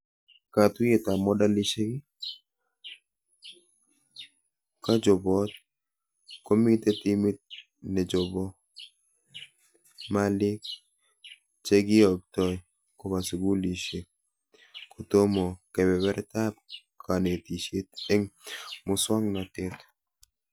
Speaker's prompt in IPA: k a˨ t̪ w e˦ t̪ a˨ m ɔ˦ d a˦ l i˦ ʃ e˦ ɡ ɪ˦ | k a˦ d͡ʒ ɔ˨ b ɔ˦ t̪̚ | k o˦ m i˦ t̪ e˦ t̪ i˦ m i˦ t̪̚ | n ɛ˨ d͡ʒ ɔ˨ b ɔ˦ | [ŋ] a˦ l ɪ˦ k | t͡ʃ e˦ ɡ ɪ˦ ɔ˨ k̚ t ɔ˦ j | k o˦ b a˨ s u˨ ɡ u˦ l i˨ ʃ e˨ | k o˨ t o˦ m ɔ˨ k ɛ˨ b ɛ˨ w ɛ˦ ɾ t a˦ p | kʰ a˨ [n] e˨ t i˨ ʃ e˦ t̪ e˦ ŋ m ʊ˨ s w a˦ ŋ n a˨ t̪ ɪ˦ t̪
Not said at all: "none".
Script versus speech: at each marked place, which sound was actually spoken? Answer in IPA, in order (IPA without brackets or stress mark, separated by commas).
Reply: m, n